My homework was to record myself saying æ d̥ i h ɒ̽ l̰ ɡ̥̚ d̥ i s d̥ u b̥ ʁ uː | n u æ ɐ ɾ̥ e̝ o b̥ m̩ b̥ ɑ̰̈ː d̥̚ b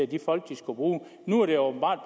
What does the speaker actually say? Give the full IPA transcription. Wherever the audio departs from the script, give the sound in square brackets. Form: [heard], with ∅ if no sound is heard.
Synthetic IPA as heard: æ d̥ i [f] ɒ̽ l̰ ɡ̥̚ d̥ i s [ɡ̥] u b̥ ʁ uː | n u æ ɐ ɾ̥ e̝ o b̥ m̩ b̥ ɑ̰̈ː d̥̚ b